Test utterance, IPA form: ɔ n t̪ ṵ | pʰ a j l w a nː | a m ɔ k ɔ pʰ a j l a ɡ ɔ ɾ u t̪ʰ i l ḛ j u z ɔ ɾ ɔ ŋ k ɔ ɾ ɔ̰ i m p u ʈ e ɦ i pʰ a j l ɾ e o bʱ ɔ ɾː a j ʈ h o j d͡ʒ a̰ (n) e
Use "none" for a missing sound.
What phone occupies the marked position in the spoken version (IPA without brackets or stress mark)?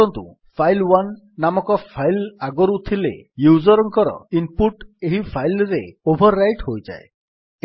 none